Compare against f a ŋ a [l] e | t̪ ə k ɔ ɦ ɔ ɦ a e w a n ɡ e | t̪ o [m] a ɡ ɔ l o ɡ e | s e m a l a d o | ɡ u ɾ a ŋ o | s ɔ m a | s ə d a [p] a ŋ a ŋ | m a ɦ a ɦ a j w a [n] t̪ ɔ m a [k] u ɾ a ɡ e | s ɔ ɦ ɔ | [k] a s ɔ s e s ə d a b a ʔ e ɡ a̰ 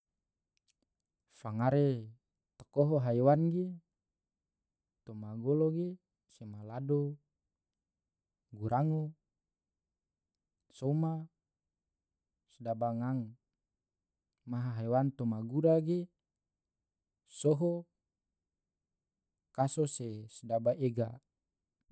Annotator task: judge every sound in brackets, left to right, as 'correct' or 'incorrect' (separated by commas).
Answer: incorrect, correct, incorrect, correct, incorrect, correct